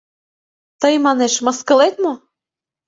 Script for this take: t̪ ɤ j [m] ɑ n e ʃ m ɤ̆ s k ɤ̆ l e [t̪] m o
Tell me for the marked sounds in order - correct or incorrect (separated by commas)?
correct, correct